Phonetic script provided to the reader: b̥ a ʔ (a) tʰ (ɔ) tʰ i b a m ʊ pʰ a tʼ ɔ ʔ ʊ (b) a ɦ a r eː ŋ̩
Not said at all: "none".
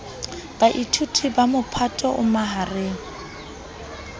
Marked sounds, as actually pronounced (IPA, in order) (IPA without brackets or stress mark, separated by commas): i, u, m